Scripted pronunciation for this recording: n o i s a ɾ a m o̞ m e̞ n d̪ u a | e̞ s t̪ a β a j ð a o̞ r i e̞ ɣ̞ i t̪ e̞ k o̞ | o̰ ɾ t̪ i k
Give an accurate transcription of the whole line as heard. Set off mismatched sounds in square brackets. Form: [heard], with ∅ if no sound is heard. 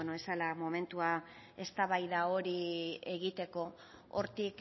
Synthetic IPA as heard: n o [e] s a [l] a m o̞ m e̞ n [t̪] u a | e̞ s t̪ a β a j ð a o̞ [ɾ] i e̞ ɣ̞ i t̪ e̞ k o̞ | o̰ ɾ t̪ i k